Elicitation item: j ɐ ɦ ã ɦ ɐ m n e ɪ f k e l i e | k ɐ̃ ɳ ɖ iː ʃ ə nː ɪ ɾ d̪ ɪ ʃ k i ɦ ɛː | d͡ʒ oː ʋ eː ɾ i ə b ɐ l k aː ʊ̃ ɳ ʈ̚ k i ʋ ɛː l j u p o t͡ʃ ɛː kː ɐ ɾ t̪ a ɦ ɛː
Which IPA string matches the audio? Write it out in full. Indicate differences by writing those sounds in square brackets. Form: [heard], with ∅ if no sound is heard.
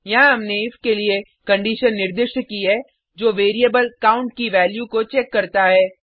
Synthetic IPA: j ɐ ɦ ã ɦ ɐ m n e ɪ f k e l i e | k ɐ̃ ɳ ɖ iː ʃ ə nː ɪ ɾ d̪ ɪ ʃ k i ɦ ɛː | d͡ʒ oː ʋ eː ɾ i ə b [ə] l k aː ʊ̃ ɳ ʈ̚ k i ʋ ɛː l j u [k] o t͡ʃ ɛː kː ɐ ɾ t̪ a ɦ ɛː